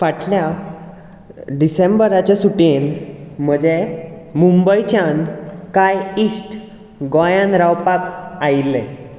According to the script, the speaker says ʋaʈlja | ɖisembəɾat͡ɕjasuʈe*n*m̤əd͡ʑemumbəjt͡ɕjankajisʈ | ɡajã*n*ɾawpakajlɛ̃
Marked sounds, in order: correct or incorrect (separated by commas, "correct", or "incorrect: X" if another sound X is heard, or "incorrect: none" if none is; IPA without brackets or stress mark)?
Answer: correct, correct